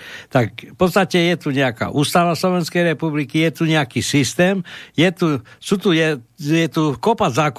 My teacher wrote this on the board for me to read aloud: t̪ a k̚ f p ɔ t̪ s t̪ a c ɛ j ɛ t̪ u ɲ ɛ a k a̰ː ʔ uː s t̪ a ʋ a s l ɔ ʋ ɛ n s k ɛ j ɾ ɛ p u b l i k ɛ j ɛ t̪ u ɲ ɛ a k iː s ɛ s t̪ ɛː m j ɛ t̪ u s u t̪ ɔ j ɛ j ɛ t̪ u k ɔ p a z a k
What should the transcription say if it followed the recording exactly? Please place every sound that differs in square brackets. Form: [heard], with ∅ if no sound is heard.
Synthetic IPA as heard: t̪ a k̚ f p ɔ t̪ s t̪ a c ɛ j ɛ t̪ u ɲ ɛ a k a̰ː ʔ uː s t̪ a ʋ a s l ɔ ʋ ɛ n s k ɛ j ɾ ɛ p u b l i k [i] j ɛ t̪ u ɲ ɛ a k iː s [i] s t̪ ɛː m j ɛ t̪ u s u t̪ [u] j ɛ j ɛ t̪ u k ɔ p a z a k